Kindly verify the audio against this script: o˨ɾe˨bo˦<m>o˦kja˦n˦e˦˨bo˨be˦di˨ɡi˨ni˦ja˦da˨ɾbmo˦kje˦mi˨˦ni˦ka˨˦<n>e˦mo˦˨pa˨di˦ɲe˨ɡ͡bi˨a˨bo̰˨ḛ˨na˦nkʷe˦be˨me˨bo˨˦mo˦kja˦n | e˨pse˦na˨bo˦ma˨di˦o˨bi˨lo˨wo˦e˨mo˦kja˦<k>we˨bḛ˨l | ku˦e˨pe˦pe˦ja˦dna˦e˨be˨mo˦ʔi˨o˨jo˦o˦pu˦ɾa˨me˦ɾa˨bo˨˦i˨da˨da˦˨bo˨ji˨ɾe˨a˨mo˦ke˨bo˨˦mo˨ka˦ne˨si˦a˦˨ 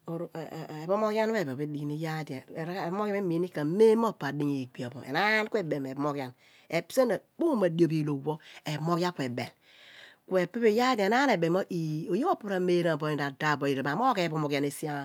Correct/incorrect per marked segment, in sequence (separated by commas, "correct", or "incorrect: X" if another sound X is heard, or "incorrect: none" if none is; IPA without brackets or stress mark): correct, incorrect: m, correct